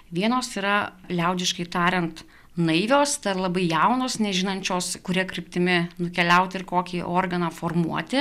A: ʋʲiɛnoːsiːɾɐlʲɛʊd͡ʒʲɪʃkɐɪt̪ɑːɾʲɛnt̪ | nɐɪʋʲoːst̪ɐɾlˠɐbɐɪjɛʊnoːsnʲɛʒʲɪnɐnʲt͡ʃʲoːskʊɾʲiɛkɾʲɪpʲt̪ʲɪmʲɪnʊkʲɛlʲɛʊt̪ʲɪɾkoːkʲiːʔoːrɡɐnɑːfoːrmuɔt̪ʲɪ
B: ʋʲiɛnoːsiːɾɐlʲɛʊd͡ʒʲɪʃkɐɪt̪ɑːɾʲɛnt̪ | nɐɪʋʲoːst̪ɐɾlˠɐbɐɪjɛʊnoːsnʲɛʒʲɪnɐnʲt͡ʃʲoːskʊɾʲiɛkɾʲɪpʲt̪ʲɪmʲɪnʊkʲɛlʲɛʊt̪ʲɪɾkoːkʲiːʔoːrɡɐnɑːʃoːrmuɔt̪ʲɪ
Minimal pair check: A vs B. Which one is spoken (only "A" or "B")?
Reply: A